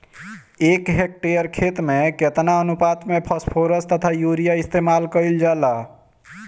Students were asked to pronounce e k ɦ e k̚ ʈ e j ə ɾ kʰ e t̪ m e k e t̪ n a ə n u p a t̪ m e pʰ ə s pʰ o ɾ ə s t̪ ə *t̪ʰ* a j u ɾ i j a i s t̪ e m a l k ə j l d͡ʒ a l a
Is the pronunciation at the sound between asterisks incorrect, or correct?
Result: correct